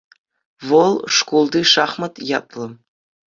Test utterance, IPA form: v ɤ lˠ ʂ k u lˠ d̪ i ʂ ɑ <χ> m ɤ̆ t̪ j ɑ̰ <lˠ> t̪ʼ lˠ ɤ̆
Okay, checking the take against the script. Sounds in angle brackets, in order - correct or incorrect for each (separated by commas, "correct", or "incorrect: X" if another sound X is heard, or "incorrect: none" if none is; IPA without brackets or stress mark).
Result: correct, incorrect: none